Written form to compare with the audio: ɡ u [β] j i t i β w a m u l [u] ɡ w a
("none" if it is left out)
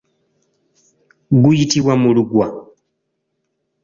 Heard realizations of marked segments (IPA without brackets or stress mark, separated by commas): none, u